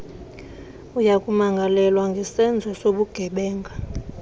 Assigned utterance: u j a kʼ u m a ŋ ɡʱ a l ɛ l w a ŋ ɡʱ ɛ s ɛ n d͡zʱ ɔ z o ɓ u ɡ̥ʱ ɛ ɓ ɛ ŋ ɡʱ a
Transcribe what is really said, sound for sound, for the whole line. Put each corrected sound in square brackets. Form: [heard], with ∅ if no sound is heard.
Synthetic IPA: u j a kʼ u m a ŋ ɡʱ a l ɛ l w a ŋ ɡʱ ɛ s ɛ n d͡zʱ ɔ [s] o ɓ u ɡ̥ʱ ɛ ɓ [ɛː] ŋ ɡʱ a

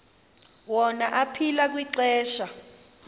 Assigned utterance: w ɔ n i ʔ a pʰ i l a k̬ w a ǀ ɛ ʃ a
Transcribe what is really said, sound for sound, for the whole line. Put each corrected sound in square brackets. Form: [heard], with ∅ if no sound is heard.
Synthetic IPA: w ɔ n [a] ʔ a pʰ i l a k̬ w [i] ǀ [ɛː] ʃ a

